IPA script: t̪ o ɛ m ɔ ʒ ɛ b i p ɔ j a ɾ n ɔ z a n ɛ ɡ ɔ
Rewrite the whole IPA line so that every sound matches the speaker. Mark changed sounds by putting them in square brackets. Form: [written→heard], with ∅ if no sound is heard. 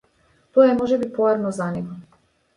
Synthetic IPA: t̪ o ɛ m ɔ ʒ ɛ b i p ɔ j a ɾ n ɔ z a n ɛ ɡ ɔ